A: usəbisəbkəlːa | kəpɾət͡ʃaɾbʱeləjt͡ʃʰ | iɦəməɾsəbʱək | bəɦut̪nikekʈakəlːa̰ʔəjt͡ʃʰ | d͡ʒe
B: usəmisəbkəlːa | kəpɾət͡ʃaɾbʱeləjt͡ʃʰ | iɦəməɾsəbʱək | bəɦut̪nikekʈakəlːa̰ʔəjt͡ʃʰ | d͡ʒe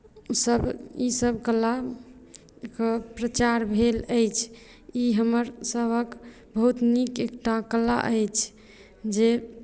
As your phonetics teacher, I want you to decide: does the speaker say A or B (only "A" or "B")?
A